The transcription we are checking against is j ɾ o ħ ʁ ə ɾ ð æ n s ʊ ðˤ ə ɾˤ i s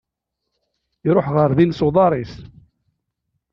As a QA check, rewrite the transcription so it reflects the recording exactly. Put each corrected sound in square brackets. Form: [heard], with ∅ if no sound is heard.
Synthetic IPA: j ɾ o ħ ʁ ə ɾ ð [i] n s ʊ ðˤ [ɑ] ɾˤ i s